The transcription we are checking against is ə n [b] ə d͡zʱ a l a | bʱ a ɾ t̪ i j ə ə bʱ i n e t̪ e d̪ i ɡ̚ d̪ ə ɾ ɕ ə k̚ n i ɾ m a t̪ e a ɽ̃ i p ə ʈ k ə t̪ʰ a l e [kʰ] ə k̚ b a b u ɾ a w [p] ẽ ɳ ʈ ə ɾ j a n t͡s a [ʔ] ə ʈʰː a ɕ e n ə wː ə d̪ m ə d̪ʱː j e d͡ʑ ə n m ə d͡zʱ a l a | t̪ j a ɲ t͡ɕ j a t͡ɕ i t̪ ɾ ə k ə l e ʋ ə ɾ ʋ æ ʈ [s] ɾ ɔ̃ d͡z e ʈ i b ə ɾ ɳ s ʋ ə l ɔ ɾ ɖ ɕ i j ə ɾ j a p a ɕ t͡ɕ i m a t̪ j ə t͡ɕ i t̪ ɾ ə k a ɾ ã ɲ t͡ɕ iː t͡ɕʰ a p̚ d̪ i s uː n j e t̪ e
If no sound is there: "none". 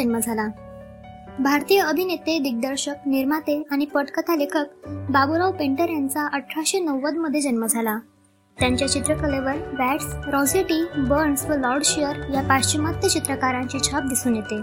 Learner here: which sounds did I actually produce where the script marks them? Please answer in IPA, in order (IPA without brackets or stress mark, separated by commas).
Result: m, kʰ, p, ʔ, s